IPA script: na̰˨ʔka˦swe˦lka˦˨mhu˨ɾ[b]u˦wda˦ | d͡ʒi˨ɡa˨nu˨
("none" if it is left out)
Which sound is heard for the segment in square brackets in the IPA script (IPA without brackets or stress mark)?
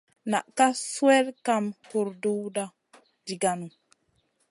d